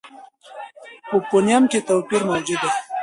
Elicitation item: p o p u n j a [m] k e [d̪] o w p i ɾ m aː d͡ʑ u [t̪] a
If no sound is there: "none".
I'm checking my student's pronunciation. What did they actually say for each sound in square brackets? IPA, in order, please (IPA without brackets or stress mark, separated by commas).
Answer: m, t̪, d̪